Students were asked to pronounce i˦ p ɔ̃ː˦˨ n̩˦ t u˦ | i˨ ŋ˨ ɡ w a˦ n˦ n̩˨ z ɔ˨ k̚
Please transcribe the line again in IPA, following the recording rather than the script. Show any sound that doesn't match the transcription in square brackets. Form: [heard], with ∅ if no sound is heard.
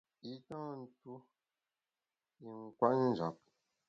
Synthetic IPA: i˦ [t] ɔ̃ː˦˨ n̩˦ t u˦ | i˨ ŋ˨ [k] w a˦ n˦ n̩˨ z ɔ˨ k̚